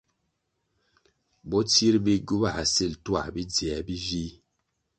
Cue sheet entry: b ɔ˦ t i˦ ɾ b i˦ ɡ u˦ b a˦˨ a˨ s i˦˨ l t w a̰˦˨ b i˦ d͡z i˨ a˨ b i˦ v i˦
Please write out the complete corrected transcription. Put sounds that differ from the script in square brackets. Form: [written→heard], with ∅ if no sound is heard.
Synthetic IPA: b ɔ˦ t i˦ ɾ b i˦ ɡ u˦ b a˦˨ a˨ s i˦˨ l t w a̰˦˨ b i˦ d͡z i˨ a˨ b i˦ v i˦